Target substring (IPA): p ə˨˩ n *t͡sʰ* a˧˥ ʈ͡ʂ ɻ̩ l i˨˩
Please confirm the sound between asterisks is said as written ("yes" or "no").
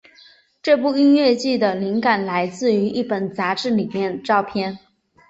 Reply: no